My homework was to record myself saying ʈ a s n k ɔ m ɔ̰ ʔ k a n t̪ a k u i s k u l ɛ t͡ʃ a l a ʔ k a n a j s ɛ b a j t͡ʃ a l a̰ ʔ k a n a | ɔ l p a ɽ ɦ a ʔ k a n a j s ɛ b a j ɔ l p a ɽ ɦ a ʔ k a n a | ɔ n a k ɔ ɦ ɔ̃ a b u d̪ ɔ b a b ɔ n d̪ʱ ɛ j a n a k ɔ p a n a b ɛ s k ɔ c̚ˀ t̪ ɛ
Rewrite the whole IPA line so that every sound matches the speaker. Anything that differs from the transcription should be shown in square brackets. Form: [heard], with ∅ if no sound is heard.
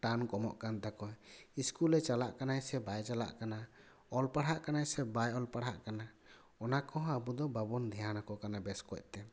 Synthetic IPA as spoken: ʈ a [∅] n k ɔ m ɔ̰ ʔ k a n t̪ a k [ɔ] i s k u l ɛ t͡ʃ a l a ʔ k a n a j s ɛ b a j t͡ʃ a l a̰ ʔ k a n a | ɔ l p a ɽ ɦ a ʔ k a n a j s ɛ b a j ɔ l p a ɽ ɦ a ʔ k a n a | ɔ n a k ɔ ɦ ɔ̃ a b u d̪ ɔ b a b ɔ n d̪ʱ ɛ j a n a k ɔ [k] a n a b ɛ s k ɔ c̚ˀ t̪ ɛ